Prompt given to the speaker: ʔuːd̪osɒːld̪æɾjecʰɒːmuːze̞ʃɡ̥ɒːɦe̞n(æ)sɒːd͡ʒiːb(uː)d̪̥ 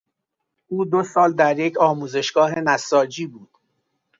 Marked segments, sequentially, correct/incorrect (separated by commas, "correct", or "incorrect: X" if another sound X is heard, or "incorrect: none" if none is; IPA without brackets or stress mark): correct, correct